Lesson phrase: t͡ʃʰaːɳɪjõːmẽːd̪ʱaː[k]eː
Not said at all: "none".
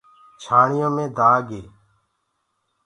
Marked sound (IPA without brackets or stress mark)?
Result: ɡ